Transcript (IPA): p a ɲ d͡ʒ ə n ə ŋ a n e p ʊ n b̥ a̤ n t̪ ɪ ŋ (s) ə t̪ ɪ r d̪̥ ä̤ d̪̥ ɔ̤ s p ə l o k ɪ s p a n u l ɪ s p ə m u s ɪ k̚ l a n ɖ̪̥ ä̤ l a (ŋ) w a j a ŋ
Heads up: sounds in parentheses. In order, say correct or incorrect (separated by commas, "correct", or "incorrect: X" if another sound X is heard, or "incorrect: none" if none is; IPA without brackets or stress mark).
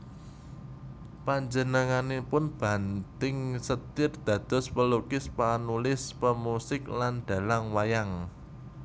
correct, correct